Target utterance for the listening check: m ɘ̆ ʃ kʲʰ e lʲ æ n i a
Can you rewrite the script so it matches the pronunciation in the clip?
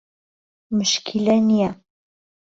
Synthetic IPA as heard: m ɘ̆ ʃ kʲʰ i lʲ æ n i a